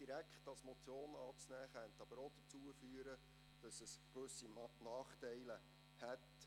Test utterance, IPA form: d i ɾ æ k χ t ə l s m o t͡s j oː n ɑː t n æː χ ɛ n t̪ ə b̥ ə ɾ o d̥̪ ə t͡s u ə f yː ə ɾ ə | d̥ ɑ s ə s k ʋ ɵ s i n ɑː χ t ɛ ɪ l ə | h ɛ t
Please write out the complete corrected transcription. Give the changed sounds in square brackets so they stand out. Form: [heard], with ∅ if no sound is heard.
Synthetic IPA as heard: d i ɾ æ k χ t [ɑ] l s m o t͡s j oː n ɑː [t͡s] n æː χ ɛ n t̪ [ɑ] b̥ ə ɾ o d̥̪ ə t͡s u ə f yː ə ɾ ə | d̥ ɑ s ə s k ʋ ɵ s i n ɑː χ t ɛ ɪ l ə | h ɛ t